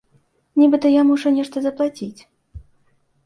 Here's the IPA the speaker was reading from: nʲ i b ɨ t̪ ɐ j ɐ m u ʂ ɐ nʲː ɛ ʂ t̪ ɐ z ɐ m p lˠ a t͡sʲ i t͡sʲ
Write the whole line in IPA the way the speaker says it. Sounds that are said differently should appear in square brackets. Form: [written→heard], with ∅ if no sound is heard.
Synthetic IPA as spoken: nʲ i b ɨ t̪ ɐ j [ɐ→a] m u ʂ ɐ [nʲː→nʲ] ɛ ʂ t̪ ɐ z ɐ [m→∅] p lˠ a t͡sʲ i t͡sʲ